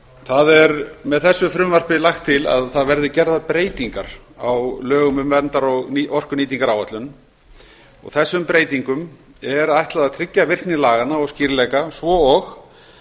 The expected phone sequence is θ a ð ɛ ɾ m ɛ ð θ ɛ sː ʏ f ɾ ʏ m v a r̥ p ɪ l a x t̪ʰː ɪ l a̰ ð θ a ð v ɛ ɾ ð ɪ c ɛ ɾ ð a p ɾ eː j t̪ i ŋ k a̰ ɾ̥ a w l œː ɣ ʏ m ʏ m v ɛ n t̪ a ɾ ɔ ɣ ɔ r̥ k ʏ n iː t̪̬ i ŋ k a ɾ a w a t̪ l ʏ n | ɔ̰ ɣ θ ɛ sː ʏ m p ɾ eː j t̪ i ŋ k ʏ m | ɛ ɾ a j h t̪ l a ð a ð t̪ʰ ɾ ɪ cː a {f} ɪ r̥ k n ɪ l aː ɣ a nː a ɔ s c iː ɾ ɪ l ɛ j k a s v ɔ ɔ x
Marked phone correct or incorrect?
incorrect